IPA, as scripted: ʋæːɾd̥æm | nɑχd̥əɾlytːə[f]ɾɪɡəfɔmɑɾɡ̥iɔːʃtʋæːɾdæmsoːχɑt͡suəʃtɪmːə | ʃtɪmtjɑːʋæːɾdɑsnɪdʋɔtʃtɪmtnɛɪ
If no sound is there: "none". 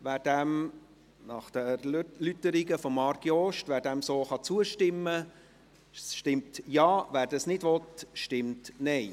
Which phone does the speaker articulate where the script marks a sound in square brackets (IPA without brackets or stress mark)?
none